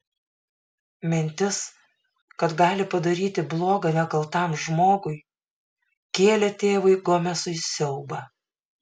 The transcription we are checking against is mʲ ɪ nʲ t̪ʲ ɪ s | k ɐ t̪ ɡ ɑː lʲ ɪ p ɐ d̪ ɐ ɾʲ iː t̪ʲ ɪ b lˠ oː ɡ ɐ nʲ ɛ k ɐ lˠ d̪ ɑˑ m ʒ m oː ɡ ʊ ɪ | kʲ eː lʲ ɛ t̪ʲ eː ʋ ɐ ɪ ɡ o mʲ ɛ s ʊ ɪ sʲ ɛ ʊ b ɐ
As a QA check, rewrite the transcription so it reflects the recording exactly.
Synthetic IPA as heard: mʲ ɪ nʲ t̪ʲ ɪ s | k ɐ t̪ ɡ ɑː lʲ ɪ p ɐ d̪ ɐ ɾʲ iː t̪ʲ ɪ b lˠ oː ɡ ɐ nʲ ɛ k ɐ lˠ t̪ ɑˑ m ʒ m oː ɡ ʊ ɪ | kʲ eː lʲ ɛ t̪ʲ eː ʋ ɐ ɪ ɡ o mʲ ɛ s ʊ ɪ sʲ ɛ ʊ b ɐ